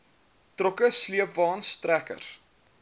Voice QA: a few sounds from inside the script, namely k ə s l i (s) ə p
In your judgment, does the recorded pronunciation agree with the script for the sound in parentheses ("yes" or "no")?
no